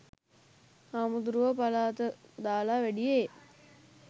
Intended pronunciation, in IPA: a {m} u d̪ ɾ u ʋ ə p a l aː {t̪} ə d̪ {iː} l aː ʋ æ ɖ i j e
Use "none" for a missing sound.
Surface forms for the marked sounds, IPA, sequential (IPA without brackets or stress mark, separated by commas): m, t̪, aː